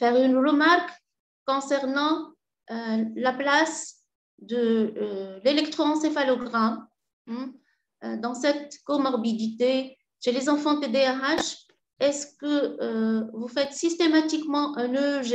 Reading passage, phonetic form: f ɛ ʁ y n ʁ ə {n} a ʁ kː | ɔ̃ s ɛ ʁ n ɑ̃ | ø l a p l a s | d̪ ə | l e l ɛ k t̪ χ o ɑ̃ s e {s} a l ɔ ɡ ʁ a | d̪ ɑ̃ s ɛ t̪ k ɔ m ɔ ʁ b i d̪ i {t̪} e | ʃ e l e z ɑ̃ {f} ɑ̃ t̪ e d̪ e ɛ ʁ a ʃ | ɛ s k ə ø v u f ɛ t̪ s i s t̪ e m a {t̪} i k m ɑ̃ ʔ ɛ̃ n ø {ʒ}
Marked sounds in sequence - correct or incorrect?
incorrect: m, incorrect: f, correct, correct, correct, correct

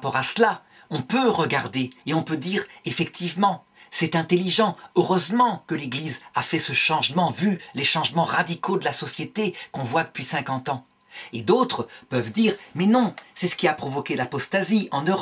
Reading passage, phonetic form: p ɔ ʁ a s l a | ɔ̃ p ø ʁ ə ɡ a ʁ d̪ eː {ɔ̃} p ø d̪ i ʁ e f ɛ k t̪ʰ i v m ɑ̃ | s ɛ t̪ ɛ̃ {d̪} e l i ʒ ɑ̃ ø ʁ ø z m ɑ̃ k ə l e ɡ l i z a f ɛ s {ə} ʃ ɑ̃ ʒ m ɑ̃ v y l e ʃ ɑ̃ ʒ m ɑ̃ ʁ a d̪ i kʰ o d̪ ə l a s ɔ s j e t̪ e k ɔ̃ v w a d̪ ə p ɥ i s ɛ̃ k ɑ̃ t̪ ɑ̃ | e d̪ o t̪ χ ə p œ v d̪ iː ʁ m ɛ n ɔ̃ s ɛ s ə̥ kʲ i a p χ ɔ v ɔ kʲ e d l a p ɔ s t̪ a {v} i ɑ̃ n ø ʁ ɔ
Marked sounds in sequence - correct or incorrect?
correct, incorrect: t̪, correct, incorrect: z

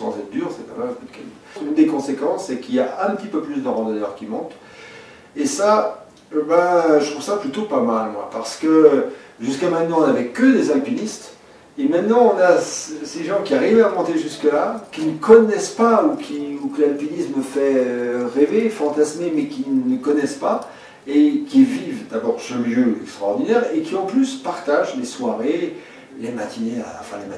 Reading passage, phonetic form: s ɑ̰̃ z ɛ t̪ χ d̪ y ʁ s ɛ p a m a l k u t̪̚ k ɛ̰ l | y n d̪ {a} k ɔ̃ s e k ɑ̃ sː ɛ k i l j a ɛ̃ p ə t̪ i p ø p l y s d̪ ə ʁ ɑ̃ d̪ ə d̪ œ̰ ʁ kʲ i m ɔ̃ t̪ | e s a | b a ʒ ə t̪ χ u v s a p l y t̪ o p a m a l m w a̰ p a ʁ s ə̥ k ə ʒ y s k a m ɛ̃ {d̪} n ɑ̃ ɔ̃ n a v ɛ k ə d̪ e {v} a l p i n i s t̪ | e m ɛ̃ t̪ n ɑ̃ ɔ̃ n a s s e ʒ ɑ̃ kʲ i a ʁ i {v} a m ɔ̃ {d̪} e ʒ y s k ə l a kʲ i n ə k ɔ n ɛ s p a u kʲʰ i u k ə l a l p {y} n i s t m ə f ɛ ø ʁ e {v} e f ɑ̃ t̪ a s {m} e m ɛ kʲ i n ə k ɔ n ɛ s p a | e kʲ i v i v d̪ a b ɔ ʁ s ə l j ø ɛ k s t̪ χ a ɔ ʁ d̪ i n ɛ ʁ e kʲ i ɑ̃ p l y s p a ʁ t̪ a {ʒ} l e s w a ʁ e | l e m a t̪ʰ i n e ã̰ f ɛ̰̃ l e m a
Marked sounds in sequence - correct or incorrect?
incorrect: e, incorrect: t̪, incorrect: z, correct, incorrect: t̪, incorrect: i, correct, correct, correct

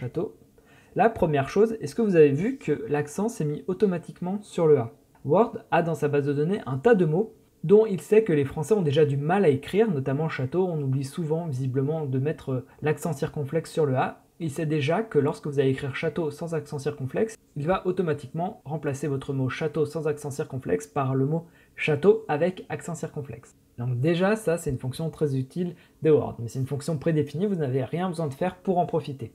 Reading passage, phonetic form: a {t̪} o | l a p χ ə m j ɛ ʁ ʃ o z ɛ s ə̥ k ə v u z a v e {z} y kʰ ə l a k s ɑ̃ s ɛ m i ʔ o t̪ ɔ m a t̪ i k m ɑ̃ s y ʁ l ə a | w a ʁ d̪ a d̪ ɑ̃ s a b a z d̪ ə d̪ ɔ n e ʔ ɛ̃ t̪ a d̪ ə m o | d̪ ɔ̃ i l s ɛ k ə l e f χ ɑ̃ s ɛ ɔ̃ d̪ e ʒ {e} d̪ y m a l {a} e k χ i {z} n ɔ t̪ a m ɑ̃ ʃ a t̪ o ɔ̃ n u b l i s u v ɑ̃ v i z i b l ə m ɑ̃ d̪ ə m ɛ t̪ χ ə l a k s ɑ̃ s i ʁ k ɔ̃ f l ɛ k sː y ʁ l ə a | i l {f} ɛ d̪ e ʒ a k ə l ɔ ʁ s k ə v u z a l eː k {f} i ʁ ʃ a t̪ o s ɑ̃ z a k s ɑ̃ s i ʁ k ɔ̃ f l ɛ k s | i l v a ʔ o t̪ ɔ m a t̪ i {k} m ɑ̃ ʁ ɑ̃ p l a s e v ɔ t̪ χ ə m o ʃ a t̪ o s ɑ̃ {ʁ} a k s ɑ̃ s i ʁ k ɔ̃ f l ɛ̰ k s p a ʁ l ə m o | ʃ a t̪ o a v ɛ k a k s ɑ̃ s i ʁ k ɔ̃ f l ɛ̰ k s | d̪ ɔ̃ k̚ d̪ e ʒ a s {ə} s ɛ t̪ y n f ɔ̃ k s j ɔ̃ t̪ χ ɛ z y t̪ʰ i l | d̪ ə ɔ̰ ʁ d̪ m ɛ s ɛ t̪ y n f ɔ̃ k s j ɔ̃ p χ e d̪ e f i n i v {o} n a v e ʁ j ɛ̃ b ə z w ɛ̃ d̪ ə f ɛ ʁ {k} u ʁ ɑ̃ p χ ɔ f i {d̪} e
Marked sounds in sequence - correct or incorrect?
correct, incorrect: v, incorrect: a, correct, incorrect: ʁ, incorrect: s, incorrect: χ, correct, incorrect: z, incorrect: a, incorrect: u, incorrect: p, incorrect: t̪

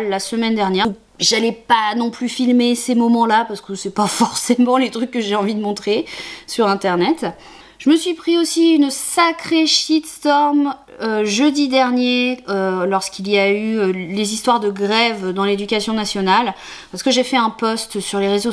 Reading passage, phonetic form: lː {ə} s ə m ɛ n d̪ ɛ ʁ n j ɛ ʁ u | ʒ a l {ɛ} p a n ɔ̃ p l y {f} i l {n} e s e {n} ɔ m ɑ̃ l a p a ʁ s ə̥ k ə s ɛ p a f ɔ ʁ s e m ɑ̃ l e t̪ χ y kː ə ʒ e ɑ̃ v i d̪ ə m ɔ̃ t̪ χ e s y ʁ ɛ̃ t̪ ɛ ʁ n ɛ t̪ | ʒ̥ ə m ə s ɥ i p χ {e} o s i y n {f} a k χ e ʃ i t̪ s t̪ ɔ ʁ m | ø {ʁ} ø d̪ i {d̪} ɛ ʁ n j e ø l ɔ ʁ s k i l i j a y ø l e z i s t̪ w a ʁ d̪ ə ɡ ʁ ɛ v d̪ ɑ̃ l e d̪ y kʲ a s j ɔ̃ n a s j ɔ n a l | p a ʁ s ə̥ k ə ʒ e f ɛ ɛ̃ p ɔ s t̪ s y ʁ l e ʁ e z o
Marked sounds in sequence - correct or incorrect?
incorrect: a, correct, correct, incorrect: m, incorrect: m, incorrect: i, incorrect: s, incorrect: ʒ, correct

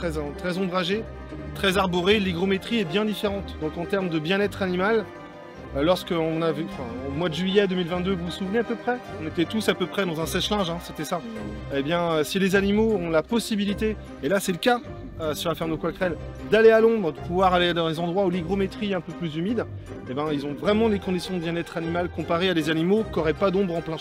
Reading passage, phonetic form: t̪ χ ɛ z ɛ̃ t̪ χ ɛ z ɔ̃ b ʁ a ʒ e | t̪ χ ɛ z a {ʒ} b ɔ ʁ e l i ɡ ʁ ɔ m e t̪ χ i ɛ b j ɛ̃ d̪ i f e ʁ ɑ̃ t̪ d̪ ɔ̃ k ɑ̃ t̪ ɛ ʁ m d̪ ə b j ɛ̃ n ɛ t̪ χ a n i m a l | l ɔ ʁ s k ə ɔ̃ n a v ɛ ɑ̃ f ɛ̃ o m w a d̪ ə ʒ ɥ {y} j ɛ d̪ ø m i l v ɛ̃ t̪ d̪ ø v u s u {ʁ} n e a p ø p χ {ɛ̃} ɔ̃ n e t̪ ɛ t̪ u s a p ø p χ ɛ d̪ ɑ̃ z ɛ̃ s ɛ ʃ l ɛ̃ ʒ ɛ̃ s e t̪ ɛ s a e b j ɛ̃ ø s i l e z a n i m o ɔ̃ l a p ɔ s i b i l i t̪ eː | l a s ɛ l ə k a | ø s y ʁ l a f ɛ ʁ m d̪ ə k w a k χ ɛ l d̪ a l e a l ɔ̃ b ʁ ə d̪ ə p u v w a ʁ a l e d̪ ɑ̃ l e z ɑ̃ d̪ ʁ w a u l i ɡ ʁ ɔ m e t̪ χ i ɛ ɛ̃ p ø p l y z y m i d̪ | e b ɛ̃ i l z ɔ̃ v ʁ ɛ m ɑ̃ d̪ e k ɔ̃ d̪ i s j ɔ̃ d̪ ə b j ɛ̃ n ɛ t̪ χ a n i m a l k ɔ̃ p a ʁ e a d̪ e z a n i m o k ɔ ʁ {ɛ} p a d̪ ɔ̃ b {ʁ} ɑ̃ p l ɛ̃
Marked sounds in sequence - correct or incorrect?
incorrect: ʁ, incorrect: i, incorrect: v, incorrect: ɛ, correct, correct

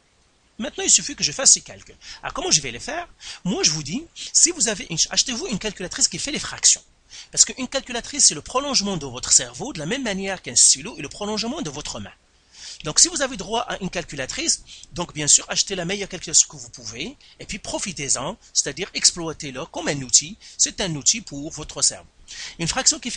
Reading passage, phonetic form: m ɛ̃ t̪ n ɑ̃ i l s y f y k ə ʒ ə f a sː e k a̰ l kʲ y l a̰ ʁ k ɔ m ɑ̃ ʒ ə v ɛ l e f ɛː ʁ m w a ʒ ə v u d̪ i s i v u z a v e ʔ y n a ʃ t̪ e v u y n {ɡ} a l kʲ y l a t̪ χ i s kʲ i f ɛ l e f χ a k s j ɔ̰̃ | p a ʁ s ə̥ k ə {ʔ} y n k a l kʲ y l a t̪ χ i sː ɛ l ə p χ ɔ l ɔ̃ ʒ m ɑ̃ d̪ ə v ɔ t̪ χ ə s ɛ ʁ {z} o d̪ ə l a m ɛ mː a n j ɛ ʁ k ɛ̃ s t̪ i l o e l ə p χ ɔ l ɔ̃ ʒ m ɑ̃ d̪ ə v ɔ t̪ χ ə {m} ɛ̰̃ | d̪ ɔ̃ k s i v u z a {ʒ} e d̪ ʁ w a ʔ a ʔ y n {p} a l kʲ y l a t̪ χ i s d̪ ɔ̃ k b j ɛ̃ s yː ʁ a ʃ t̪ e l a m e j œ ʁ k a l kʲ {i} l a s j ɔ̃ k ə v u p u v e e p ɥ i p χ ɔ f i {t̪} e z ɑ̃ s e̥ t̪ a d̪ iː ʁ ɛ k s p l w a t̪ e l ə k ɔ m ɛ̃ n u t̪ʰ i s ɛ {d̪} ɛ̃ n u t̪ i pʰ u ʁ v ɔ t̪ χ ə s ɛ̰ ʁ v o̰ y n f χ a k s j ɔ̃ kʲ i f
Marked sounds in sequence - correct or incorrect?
incorrect: k, correct, incorrect: v, correct, incorrect: v, incorrect: k, incorrect: y, correct, incorrect: t̪

